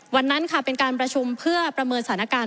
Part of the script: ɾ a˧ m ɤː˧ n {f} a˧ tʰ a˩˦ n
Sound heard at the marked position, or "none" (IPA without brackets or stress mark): s